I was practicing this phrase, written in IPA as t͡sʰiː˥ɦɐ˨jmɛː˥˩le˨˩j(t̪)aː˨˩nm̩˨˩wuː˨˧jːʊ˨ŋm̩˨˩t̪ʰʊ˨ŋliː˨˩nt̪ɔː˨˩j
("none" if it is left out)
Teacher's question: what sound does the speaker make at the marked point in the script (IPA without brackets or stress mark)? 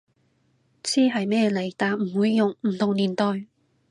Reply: t̪